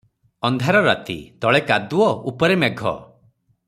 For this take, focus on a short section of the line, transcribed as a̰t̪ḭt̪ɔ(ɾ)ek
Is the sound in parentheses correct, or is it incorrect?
incorrect